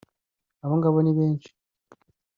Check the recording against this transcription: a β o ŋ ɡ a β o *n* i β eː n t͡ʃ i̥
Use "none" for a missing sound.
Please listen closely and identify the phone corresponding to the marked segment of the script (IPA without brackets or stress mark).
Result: n